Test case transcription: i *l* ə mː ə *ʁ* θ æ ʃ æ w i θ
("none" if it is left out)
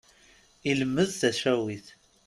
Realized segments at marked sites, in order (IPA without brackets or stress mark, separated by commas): l, ð